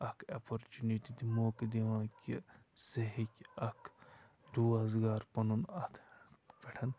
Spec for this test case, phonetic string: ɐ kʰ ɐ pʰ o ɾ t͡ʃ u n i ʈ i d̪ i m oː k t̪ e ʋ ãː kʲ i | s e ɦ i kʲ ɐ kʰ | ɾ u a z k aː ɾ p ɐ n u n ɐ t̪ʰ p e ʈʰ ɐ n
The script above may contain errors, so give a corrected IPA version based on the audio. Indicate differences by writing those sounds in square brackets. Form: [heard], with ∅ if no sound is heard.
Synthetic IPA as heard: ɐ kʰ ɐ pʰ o ɾ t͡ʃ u n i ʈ i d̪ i m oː k [d̪] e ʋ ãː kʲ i | s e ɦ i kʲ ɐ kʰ | ɾ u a z [ɡ] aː ɾ p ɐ n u n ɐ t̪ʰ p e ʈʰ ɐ n

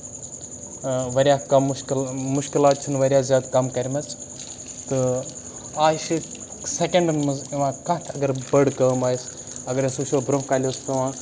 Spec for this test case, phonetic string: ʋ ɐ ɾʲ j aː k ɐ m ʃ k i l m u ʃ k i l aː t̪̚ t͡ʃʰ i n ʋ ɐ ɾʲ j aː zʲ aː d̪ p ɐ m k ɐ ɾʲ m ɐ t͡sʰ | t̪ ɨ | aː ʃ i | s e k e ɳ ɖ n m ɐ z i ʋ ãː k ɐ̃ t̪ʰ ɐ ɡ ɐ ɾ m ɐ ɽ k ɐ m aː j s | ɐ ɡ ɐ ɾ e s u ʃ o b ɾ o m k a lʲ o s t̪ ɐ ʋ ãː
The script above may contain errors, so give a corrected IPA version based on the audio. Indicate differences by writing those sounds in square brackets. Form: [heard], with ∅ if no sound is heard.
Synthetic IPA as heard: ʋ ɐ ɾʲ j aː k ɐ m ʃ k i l m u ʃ k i l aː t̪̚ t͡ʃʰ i n ʋ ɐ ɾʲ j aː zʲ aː d̪ [k] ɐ m k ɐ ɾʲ m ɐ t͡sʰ | t̪ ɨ | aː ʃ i | s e k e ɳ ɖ n m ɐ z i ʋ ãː k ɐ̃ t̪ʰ ɐ ɡ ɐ ɾ [b] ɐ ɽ k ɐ m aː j s | ɐ ɡ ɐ ɾ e s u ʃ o b ɾ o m k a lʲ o s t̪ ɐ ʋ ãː

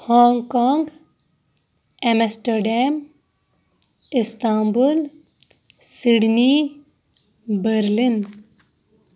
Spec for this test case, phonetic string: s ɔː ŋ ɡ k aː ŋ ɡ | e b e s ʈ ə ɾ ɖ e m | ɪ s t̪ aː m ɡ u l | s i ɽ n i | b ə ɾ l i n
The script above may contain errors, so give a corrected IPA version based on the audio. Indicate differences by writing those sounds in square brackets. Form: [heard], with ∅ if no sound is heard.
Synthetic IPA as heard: [h] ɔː ŋ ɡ k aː ŋ ɡ | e [m] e s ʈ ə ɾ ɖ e m | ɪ s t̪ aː m [b] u l | s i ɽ n i | b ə ɾ l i n

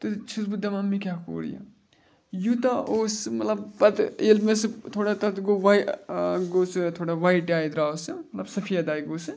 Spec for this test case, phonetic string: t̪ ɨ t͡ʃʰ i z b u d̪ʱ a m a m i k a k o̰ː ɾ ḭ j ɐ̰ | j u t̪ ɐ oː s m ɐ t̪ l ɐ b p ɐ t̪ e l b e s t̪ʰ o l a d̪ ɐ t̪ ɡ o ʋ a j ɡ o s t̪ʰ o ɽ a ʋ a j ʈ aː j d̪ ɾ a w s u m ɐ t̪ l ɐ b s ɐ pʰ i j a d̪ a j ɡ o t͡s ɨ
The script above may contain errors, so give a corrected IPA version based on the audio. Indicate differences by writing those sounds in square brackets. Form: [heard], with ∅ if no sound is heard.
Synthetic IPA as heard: t̪ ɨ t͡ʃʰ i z b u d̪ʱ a m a m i k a k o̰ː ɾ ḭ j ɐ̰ | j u t̪ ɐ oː s m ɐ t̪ l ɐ b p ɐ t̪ e l [m] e s t̪ʰ o [ɽ] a [t̪] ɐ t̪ ɡ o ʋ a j ɡ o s t̪ʰ o ɽ a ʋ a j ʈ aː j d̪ ɾ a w s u m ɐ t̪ l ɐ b s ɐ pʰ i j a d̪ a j ɡ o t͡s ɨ

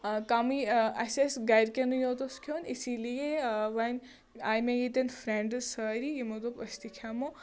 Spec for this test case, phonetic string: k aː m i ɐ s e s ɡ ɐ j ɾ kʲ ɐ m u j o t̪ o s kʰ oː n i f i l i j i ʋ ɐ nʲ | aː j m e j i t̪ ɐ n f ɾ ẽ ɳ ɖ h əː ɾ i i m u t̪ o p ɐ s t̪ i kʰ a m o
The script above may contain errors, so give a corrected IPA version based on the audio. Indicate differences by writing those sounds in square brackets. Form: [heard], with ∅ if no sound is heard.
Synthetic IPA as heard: k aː m i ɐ s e s ɡ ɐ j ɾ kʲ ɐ [n] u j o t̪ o s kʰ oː n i [s] i l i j [e] ʋ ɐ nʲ | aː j m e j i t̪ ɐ n f ɾ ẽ ɳ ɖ [s] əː ɾ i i m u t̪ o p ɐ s t̪ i kʰ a m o

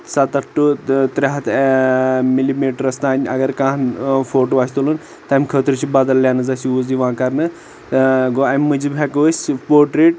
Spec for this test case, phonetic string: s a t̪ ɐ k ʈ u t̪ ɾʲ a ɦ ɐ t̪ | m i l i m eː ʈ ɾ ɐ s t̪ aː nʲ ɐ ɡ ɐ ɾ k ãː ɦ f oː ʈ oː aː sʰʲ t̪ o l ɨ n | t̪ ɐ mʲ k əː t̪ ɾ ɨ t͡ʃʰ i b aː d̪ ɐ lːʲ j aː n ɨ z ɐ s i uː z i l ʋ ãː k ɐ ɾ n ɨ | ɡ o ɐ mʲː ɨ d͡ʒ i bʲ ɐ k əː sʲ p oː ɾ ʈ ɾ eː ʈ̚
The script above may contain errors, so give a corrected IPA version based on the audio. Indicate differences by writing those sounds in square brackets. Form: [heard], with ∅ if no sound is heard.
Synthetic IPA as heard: s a t̪ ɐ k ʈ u t̪ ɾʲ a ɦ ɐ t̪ | m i l i m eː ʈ ɾ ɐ s t̪ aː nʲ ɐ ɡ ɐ ɾ k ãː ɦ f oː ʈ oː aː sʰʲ t̪ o l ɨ n | t̪ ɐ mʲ [kʰ] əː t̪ ɾ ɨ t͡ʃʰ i b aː d̪ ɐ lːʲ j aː n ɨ z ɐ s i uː z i [∅] ʋ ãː k ɐ ɾ n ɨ | ɡ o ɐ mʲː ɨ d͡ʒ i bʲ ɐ k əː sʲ p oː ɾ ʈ ɾ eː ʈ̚

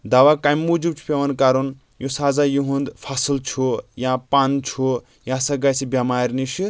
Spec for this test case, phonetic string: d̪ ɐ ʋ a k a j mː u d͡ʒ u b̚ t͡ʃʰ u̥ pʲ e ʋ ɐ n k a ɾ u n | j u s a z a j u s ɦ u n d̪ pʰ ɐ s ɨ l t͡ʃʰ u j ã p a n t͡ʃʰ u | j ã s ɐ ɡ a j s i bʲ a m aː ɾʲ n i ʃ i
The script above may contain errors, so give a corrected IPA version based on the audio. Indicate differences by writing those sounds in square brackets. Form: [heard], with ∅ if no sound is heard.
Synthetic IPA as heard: d̪ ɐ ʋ a k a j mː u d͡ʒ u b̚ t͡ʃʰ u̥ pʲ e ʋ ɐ n k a ɾ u n | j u s a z a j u [∅] ɦ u n d̪ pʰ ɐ s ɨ l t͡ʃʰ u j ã p a n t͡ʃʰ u | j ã s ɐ ɡ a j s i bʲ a m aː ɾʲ n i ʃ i

